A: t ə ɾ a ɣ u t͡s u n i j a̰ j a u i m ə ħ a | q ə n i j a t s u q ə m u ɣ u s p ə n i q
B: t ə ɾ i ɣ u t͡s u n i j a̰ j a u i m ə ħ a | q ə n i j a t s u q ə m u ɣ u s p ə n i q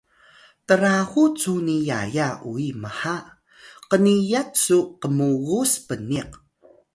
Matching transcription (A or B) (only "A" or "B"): A